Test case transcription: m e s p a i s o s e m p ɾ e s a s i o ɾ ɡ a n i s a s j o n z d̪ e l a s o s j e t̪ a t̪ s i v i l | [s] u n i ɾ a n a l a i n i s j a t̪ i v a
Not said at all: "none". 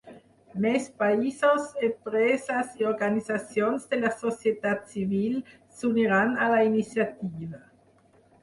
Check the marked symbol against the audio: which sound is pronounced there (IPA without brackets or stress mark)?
s